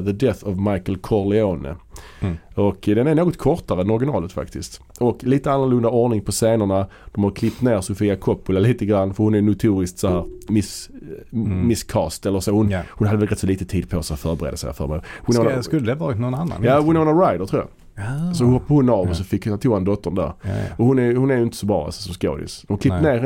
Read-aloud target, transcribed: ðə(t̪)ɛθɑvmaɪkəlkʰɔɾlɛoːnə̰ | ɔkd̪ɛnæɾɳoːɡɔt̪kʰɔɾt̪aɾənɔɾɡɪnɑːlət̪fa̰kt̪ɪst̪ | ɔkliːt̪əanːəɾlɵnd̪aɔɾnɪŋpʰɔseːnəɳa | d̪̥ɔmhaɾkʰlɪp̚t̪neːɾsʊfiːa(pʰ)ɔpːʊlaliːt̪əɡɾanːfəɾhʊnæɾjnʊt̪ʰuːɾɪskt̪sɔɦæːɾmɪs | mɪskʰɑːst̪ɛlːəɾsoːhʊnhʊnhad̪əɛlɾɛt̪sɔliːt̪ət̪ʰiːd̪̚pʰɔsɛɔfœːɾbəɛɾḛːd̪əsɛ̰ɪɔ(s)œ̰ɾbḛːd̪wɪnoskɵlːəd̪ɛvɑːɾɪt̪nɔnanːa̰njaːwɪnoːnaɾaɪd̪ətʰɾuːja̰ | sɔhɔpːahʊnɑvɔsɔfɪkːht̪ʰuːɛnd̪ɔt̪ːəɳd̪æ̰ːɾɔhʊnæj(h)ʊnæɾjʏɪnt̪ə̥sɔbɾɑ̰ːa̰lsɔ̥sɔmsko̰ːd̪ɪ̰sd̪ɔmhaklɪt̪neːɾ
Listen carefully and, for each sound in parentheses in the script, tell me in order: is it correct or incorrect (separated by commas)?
incorrect, incorrect, incorrect, correct